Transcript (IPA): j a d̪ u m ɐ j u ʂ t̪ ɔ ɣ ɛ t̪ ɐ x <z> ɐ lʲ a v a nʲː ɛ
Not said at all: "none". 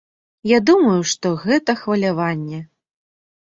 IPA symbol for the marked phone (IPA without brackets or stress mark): v